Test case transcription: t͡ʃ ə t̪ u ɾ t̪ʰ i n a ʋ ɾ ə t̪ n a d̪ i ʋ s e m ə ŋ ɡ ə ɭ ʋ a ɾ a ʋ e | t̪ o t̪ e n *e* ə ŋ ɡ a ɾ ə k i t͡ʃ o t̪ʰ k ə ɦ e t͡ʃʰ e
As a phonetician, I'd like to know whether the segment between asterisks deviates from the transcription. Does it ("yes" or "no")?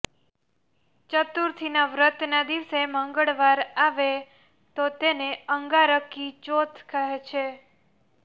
no